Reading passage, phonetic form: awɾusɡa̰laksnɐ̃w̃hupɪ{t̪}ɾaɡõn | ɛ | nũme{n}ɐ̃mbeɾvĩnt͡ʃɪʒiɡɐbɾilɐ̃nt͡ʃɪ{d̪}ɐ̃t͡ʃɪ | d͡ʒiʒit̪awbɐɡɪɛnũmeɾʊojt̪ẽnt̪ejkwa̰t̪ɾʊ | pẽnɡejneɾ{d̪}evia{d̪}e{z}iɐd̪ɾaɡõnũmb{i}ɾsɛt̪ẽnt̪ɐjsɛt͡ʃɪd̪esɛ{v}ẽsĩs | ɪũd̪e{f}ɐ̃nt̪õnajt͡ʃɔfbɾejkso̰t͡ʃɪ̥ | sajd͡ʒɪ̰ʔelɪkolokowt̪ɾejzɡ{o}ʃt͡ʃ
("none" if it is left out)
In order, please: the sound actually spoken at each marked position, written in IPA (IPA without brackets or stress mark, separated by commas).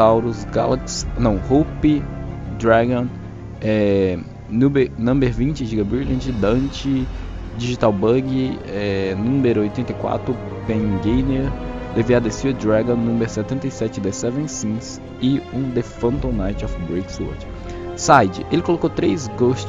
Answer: d̪, n, d̪, d̪, d̪, s, e, v, f, o